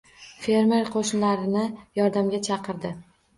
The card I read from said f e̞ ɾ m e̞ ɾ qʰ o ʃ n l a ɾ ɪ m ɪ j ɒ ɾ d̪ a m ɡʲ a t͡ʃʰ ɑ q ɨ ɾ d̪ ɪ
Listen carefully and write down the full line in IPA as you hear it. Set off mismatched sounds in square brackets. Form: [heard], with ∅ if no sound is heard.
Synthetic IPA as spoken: f e̞ ɾ m e̞ ɾ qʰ o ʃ n l a ɾ ɪ [n] ɪ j ɒ ɾ d̪ a m ɡʲ a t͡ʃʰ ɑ q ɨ ɾ d̪ ɪ

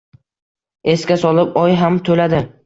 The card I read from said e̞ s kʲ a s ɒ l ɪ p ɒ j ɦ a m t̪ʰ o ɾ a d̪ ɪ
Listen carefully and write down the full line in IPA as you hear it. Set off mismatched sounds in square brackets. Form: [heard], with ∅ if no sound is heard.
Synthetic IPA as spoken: e̞ s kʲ a s ɒ l ɪ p ɒ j ɦ a m t̪ʰ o [l] a d̪ ɪ

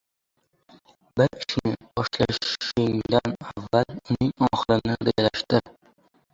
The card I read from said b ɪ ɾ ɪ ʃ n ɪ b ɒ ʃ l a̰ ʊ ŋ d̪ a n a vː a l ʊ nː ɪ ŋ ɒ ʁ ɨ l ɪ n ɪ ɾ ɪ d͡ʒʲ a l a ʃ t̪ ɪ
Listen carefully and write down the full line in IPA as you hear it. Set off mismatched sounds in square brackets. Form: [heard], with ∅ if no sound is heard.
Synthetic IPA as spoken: b ɪ ɾ ɪ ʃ n ɪ b ɒ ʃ l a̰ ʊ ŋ d̪ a n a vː a l ʊ [n] ɪ ŋ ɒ [χ] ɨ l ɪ n ɪ ɾ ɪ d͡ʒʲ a l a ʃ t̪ ɪ

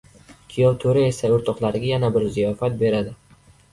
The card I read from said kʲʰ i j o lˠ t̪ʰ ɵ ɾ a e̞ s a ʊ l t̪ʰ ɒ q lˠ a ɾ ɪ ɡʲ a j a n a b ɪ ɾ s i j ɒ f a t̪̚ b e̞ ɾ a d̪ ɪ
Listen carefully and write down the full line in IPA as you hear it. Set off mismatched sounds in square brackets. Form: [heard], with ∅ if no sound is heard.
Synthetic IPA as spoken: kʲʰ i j [ɒ] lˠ t̪ʰ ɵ ɾ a e̞ s a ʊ [ɾ] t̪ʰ ɒ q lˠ a ɾ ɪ ɡʲ a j a n a b ɪ ɾ [z] i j ɒ f a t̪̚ b e̞ ɾ a d̪ ɪ

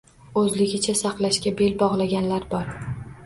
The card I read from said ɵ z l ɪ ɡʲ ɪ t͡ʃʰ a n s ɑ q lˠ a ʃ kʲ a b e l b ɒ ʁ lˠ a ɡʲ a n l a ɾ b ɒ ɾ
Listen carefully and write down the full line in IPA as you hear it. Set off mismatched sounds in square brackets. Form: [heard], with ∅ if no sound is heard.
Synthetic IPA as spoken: ɵ z l ɪ ɡʲ ɪ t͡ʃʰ a [∅] s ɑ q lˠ a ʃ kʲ a b e l b ɒ ʁ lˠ a ɡʲ a n l a ɾ b ɒ ɾ

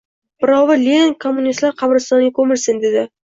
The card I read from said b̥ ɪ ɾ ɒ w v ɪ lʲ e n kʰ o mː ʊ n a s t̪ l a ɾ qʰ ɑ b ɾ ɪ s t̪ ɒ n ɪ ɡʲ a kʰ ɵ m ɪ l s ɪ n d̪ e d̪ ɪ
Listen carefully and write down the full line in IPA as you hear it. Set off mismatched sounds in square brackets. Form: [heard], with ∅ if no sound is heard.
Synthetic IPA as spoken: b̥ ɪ ɾ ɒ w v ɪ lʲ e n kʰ o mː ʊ n [i] s t̪ l a ɾ qʰ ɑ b ɾ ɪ s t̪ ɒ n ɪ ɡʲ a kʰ ɵ m ɪ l s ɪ n d̪ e d̪ ɪ

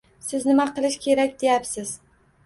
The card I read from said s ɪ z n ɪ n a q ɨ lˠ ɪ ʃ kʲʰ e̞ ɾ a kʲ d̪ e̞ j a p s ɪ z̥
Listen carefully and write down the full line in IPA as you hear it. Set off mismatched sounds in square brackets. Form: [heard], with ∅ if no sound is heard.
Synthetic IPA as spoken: s ɪ z n ɪ [m] a q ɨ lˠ ɪ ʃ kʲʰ e̞ ɾ a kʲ d̪ e̞ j a p s ɪ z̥

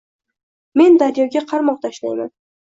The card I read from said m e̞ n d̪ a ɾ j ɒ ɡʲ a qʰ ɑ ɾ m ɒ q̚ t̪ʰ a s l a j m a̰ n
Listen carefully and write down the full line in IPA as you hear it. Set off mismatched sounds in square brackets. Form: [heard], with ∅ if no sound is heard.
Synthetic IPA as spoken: m e̞ n d̪ a ɾ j ɒ ɡʲ a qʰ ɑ ɾ m ɒ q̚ t̪ʰ a [ʃ] l a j m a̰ n

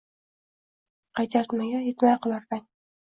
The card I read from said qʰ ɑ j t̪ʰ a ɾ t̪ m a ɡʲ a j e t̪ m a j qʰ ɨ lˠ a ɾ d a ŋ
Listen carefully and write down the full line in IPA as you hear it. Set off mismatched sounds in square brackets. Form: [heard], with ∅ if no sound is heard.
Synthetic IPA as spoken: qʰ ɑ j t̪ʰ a ɾ t̪ m a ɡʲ a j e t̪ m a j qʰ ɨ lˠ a ɾ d a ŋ

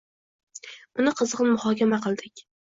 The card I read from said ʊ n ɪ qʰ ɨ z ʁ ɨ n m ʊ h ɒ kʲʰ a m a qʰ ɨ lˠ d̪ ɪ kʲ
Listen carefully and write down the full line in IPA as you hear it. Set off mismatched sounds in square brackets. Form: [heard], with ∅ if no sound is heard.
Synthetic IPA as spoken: ʊ n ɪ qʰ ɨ z ʁ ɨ n m ʊ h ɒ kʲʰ a m a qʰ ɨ lˠ d̪ ɪ kʲ

